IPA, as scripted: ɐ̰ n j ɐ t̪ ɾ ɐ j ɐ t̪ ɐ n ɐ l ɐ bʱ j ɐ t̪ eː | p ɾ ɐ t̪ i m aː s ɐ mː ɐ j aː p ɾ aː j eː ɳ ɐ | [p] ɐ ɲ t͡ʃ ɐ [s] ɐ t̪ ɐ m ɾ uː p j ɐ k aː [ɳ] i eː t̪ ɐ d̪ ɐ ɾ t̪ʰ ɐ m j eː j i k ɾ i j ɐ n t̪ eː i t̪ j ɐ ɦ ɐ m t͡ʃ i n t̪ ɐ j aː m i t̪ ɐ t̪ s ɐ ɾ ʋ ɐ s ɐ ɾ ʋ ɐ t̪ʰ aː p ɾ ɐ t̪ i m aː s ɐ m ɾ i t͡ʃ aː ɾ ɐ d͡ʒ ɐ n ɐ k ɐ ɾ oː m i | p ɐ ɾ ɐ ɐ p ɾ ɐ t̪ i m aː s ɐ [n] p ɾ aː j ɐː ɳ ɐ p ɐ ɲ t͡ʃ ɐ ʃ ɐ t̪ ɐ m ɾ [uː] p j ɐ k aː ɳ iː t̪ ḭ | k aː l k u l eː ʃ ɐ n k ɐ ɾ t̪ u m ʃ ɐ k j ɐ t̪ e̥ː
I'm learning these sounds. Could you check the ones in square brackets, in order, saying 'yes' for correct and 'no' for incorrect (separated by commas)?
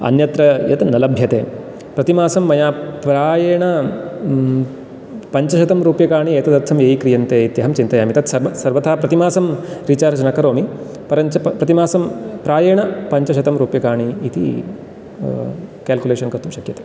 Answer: yes, no, yes, no, yes